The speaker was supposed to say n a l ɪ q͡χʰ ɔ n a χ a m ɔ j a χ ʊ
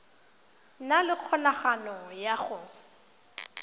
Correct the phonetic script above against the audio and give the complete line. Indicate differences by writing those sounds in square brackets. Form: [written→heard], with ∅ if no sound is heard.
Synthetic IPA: n a l ɪ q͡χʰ ɔ n a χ a [m→n] ɔ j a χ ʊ